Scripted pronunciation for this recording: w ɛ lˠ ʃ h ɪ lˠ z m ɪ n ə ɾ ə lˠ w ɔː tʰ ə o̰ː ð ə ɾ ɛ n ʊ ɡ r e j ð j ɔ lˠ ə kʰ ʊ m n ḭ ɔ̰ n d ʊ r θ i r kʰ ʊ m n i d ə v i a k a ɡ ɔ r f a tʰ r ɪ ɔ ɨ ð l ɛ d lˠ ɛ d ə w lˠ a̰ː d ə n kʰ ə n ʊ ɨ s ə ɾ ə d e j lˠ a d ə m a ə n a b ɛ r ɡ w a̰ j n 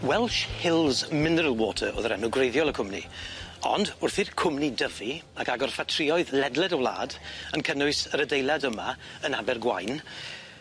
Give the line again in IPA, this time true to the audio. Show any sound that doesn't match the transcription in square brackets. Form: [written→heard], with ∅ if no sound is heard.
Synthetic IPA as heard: w ɛ lˠ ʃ h ɪ lˠ z m ɪ n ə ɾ ə lˠ w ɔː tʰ ə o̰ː ð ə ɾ ɛ n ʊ ɡ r e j ð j ɔ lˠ ə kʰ ʊ m n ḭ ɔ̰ n d ʊ r θ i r kʰ ʊ m n i d ə v i a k a ɡ ɔ r f a tʰ r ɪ ɔ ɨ ð l ɛ d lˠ ɛ d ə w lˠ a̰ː d ə n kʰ ə n ʊ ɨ s ə ɾ ə d e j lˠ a d ə m a ə n a b ɛ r ɡ w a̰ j n